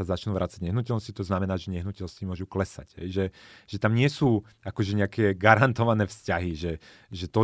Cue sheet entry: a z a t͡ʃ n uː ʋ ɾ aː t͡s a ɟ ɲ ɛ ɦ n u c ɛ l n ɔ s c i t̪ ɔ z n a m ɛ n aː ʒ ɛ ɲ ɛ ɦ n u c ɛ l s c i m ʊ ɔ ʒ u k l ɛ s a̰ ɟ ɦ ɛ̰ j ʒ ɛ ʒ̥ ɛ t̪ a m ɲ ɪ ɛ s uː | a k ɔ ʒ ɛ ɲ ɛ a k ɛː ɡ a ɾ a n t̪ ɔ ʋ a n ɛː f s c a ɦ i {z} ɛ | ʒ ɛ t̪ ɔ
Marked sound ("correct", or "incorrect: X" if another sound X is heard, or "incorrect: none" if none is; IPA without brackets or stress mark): incorrect: ʒ